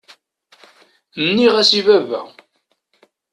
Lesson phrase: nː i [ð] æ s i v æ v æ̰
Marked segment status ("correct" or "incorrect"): incorrect